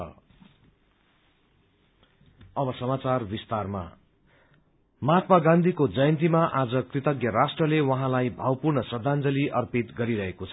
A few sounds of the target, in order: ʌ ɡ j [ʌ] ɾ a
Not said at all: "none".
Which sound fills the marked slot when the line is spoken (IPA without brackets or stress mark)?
ʌ